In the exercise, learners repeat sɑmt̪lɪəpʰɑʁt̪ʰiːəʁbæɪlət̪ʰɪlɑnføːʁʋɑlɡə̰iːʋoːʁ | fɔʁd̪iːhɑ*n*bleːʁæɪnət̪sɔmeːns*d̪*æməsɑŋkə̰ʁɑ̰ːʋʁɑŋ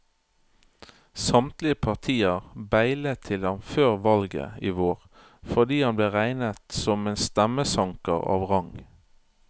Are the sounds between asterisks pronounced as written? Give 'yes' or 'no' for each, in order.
yes, no

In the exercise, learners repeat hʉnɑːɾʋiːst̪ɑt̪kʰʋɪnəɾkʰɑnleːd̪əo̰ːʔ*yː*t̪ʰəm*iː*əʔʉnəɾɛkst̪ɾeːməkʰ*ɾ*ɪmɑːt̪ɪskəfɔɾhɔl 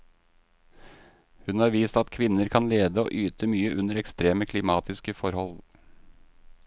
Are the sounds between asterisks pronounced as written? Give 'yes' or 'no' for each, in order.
yes, no, no

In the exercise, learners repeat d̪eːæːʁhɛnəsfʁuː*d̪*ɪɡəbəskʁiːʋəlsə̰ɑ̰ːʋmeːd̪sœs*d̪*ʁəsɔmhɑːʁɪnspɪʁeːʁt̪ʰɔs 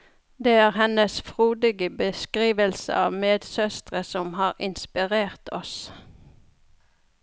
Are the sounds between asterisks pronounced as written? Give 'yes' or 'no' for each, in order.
yes, no

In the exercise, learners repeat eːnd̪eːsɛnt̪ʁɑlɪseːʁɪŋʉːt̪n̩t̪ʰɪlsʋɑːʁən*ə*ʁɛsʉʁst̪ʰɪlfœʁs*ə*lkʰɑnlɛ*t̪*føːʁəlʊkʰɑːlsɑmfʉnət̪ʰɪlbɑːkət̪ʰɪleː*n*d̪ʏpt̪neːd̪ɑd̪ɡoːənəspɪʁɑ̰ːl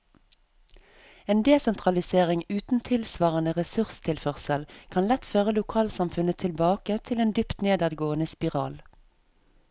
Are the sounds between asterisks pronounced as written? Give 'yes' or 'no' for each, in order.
yes, yes, yes, yes

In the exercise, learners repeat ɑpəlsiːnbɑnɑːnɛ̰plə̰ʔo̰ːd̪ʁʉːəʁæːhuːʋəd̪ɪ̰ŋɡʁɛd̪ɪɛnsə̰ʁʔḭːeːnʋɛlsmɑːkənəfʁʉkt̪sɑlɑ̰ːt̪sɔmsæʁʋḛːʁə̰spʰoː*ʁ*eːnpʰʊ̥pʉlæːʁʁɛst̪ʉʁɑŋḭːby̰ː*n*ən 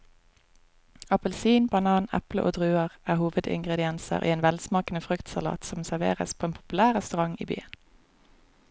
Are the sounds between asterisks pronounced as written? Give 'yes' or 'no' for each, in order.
no, no

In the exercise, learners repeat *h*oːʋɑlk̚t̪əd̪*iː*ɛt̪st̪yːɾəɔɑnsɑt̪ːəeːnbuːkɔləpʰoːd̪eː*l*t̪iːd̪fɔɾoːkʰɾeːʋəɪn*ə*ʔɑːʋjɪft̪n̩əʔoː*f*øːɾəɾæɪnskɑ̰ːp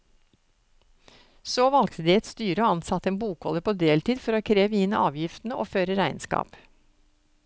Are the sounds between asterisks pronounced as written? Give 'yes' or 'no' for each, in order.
no, yes, yes, yes, yes

